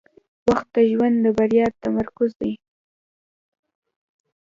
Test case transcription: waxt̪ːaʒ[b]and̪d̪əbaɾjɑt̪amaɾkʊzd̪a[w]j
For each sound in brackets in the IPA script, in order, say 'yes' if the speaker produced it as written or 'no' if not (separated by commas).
no, no